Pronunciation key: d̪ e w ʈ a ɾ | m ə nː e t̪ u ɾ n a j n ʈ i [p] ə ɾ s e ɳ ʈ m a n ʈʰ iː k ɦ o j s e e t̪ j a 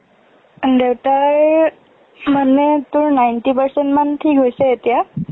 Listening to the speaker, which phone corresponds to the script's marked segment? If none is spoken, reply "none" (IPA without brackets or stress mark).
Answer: p